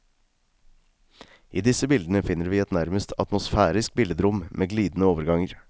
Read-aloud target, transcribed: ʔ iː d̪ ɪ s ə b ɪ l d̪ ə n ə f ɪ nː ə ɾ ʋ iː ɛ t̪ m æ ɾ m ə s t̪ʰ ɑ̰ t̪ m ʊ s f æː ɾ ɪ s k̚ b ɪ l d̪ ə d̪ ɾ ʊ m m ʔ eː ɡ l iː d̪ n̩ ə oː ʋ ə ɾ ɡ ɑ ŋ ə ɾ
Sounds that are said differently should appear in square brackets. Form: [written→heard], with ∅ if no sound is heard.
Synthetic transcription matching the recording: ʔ iː d̪ ɪ s ə b ɪ l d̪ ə n ə f ɪ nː ə ɾ ʋ iː ɛ t̪ [m→n] æ ɾ m ə s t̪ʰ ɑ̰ t̪ m ʊ s f æː ɾ ɪ s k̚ b ɪ l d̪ ə d̪ ɾ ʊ m m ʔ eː ɡ l iː d̪ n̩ ə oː ʋ ə ɾ ɡ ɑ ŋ ə ɾ